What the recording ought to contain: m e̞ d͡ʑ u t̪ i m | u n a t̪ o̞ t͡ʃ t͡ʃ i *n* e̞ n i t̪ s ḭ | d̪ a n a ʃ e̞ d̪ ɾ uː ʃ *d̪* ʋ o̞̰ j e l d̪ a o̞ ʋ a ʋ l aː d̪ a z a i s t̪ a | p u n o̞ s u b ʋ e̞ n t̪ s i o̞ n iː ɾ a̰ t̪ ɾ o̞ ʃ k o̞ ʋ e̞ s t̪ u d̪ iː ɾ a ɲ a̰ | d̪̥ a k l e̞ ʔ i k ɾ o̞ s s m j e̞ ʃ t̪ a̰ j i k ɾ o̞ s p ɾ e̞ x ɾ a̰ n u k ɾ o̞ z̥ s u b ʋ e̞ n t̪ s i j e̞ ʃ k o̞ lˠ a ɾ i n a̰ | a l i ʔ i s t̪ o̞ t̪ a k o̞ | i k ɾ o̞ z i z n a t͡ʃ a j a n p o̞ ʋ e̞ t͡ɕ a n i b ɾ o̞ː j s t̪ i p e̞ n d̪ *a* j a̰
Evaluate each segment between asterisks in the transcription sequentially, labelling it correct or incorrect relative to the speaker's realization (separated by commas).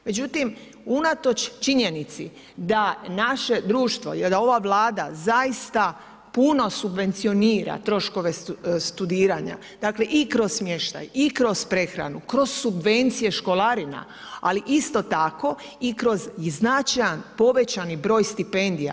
incorrect, incorrect, incorrect